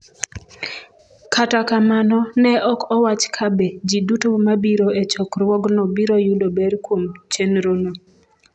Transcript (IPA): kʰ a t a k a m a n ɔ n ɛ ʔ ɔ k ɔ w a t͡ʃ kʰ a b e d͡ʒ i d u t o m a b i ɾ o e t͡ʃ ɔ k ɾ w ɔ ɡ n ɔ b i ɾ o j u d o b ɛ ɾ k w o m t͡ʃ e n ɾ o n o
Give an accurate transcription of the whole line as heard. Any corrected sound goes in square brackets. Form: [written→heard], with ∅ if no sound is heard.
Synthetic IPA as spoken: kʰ a t a k a m a n ɔ n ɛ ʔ ɔ k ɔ w a t͡ʃ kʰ a b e d͡ʒ i d u t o m a b i ɾ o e t͡ʃ ɔ k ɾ w ɔ ɡ n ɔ b i ɾ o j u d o b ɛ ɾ k w o m t͡ʃ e n ɾ o n o